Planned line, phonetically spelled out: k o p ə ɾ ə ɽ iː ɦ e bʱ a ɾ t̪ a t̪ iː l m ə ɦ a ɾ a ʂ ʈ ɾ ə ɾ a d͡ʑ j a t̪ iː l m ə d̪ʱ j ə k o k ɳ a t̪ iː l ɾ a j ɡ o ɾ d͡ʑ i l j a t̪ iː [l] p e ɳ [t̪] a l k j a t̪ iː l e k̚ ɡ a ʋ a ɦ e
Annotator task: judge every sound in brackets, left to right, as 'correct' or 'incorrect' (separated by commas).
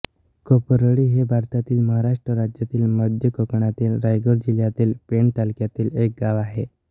correct, correct